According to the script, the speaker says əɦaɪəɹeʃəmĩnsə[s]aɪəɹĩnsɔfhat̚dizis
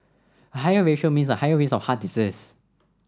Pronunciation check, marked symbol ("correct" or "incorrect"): incorrect